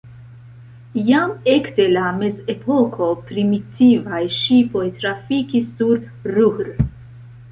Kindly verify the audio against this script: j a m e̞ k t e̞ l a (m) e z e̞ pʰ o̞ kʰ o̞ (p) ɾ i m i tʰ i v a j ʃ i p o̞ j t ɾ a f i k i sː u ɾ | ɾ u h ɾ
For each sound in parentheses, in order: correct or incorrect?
correct, correct

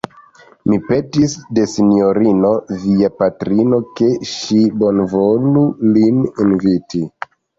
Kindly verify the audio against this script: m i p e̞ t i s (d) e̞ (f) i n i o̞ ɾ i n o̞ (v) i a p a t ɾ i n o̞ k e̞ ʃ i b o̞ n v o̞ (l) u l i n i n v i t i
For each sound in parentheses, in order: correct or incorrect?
correct, incorrect, correct, correct

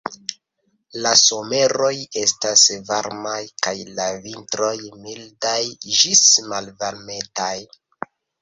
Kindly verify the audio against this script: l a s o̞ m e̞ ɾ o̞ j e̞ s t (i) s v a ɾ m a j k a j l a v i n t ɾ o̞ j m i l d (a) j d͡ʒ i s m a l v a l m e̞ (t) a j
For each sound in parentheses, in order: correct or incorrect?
incorrect, correct, correct

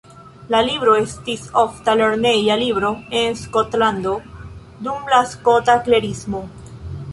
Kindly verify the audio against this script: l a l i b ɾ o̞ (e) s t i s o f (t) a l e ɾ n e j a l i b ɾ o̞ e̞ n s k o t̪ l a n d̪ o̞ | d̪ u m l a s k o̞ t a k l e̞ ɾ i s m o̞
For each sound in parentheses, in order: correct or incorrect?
correct, correct

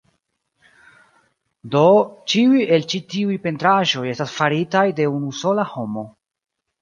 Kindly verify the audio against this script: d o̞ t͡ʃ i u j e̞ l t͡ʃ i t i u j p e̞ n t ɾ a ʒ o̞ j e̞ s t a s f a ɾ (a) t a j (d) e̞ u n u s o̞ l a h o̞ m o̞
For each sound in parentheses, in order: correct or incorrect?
incorrect, correct

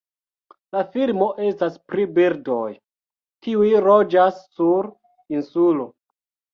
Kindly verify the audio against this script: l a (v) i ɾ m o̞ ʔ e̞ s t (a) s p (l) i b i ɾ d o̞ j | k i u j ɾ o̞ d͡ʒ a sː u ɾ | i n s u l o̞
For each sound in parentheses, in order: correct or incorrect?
incorrect, correct, incorrect

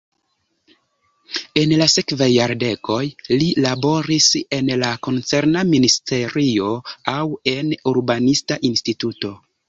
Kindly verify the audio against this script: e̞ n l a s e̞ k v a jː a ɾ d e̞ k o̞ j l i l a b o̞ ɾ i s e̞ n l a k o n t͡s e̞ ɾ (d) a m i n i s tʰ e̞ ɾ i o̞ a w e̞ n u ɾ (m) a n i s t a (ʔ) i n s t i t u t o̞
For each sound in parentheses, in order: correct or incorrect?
incorrect, incorrect, correct

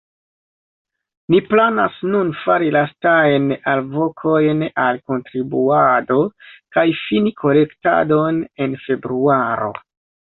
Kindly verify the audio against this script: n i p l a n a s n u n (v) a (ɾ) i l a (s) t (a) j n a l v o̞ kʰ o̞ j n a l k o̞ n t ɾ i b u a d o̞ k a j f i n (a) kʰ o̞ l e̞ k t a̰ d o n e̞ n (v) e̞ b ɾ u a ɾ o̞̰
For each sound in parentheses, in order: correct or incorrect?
incorrect, correct, correct, correct, incorrect, incorrect

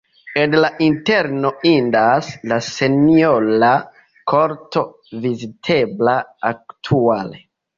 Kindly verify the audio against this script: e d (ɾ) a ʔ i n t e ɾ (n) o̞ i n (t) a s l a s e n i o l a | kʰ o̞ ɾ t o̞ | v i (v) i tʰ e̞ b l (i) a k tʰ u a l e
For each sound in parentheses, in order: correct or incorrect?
incorrect, correct, incorrect, incorrect, incorrect

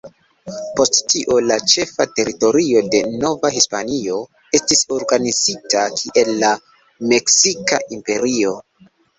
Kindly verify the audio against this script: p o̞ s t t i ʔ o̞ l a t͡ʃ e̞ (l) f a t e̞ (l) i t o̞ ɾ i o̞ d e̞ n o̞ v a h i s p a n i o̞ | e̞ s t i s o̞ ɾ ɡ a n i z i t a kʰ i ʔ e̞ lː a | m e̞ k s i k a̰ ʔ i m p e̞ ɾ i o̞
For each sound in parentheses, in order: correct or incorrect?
incorrect, incorrect

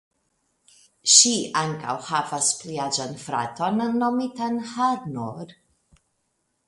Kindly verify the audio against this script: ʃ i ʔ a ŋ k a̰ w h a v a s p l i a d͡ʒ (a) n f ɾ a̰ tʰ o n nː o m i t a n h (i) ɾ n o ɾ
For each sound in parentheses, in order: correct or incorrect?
correct, incorrect

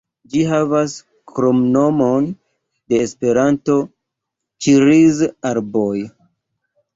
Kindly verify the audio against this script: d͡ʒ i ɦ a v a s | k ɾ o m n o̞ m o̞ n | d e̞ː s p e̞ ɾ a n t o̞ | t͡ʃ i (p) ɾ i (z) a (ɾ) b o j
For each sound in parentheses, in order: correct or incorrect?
incorrect, correct, correct

